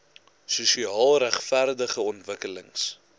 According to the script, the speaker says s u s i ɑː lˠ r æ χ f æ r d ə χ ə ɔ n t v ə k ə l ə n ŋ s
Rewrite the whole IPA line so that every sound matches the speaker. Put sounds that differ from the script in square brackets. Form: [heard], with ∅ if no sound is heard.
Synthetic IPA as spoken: s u s i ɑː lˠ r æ χ f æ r d ə χ ə ɔ n t v ə k ə l ə [∅] ŋ s